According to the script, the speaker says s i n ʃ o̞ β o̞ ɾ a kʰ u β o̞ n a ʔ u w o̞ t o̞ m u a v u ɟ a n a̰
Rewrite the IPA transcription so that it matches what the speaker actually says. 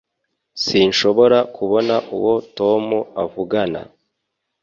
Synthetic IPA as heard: s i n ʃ o̞ β o̞ ɾ a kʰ u β o̞ n a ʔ u w o̞ t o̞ m u a v u ɡ a n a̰